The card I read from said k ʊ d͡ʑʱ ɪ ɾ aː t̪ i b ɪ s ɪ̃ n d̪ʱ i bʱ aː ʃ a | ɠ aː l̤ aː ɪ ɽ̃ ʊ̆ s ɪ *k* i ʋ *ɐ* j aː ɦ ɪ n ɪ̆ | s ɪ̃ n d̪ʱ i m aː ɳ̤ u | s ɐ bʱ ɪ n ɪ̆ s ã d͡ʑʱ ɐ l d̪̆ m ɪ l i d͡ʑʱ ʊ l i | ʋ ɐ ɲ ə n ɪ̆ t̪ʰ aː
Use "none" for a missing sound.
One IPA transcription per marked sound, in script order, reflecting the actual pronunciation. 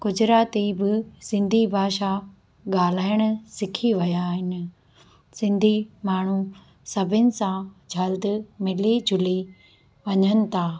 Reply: kʰ, ɐ

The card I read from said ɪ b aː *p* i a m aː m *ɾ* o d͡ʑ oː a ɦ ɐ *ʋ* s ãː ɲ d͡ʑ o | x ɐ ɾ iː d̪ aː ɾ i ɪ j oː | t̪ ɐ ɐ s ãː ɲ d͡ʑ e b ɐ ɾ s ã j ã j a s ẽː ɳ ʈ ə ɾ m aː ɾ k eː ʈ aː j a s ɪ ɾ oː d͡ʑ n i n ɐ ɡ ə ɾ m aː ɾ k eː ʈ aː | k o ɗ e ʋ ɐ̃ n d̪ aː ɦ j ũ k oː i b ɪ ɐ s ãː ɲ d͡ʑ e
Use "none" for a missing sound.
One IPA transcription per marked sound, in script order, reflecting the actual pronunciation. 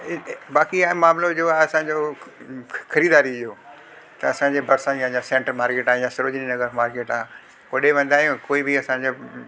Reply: k, l, none

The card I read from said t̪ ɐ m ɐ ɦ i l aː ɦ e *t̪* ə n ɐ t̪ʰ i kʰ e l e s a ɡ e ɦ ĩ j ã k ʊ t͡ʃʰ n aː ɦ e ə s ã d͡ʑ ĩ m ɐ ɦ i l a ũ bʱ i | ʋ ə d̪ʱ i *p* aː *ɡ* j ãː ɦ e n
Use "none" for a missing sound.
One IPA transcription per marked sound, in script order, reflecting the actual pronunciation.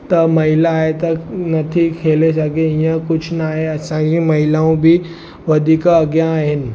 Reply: t̪, k, ɡ

